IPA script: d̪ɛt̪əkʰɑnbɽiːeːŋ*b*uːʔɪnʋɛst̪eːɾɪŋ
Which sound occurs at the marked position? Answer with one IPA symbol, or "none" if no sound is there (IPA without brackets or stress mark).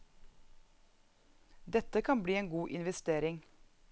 ɡ